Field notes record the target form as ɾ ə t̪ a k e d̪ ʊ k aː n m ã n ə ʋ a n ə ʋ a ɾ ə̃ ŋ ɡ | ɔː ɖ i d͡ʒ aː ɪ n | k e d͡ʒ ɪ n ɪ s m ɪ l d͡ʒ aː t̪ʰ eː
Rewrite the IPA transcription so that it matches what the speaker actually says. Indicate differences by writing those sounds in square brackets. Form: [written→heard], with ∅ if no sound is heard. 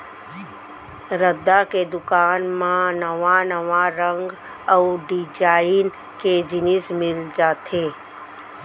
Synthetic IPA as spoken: ɾ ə [t̪→d̪] a k e d̪ ʊ k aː n m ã n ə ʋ a n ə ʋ a ɾ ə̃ ŋ ɡ | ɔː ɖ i d͡ʒ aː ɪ n | k e d͡ʒ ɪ n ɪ s m ɪ l d͡ʒ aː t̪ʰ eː